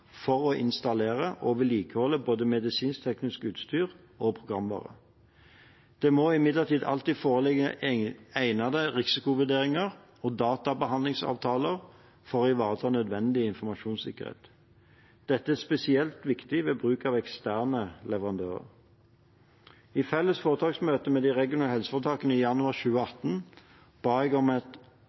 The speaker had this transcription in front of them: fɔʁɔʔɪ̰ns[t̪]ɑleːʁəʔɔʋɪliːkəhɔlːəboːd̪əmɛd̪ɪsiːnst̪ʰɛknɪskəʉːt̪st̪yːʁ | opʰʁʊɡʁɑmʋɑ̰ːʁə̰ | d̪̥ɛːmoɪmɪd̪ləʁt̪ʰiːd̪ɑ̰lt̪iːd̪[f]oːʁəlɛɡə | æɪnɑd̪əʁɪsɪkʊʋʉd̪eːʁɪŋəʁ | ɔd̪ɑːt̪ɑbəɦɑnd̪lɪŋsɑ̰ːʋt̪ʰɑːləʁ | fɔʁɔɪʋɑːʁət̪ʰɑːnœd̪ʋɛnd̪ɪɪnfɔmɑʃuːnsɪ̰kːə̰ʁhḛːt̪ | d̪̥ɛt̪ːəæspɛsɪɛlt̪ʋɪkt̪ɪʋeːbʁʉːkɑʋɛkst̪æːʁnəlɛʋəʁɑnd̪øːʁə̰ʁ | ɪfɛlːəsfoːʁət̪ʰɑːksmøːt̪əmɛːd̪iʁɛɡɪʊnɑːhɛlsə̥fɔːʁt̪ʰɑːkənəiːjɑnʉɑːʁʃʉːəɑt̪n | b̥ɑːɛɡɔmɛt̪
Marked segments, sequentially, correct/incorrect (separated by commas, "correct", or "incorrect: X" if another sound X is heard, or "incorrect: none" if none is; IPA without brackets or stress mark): correct, correct